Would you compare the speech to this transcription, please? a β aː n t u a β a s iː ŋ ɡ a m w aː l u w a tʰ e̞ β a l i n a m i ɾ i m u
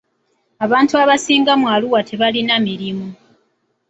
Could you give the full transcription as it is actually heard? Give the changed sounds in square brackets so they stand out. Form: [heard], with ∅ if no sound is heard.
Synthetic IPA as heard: a β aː n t u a β a s iː ŋ ɡ a m w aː l u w a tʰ e̞ β a l i n a m i ɾ i m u